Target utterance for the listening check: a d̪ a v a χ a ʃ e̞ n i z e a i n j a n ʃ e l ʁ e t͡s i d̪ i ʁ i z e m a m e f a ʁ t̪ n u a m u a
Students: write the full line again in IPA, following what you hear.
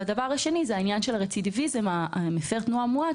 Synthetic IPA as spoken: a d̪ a v a ʁ a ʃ e̞ n i z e a i n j a n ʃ e l ʁ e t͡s i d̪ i v i z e m a m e f e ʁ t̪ n u a m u a